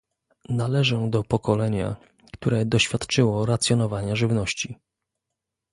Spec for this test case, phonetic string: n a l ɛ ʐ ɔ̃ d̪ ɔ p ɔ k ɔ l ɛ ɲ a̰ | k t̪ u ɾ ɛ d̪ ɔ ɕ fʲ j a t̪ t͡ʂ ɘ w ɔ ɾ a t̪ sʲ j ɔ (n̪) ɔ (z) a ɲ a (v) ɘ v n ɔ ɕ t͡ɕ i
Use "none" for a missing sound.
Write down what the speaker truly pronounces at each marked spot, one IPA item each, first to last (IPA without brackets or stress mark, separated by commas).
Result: n̪, v, ʐ